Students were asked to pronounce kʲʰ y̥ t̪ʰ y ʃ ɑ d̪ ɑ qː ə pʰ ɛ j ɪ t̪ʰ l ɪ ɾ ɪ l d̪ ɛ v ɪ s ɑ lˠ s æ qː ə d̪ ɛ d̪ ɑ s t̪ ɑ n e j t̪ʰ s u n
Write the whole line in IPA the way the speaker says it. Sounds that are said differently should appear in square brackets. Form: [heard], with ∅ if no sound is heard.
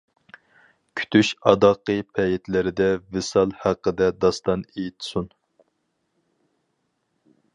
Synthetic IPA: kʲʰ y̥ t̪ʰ y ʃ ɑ d̪ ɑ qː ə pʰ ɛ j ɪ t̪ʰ l ɪ ɾ ɪ [∅] d̪ ɛ v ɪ s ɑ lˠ [h] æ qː ə d̪ ɛ d̪ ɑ s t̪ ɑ n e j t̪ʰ s u n